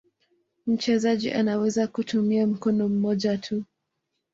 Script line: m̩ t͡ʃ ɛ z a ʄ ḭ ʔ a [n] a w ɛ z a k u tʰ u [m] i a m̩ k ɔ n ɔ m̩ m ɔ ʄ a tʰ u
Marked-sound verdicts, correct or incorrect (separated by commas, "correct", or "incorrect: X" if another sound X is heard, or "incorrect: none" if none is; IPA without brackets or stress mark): correct, correct